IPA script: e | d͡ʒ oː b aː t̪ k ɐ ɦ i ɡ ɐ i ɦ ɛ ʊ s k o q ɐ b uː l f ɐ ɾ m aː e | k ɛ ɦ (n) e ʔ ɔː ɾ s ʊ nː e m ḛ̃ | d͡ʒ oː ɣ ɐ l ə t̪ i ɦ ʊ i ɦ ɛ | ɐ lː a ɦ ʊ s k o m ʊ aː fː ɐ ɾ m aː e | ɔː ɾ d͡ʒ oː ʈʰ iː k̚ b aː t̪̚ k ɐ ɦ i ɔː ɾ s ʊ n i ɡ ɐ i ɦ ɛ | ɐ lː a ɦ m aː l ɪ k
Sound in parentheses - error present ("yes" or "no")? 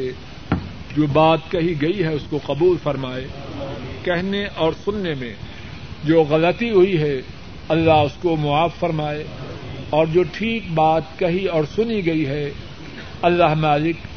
no